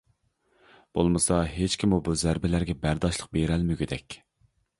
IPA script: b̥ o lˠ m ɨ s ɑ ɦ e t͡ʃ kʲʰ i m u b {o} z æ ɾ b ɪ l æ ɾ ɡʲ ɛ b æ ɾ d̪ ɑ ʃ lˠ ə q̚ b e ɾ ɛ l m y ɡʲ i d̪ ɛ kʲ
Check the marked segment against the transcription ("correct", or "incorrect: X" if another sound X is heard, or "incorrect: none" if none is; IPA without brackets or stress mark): incorrect: u